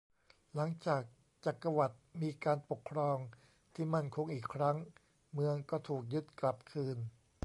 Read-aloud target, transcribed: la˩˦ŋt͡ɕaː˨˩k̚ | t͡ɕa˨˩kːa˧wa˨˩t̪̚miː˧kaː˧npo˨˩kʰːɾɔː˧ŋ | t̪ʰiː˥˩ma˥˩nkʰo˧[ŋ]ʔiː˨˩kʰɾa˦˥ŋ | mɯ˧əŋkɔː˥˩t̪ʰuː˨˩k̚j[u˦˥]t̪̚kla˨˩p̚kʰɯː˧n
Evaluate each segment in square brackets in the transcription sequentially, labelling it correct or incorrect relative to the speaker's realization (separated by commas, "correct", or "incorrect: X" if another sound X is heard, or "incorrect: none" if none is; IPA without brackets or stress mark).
correct, incorrect: ɯ˦˥